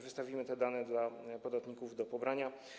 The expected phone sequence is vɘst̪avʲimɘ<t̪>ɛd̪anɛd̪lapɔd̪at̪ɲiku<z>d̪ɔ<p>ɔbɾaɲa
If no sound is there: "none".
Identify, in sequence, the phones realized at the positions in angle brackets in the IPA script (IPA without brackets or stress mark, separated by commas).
t̪, v, p